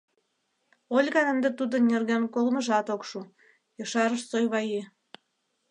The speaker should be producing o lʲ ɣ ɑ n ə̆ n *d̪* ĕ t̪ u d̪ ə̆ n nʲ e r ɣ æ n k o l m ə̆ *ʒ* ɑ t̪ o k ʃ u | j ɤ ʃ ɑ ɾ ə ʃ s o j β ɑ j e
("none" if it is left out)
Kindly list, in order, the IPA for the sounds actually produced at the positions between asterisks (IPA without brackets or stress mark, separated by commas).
d̪, ʒ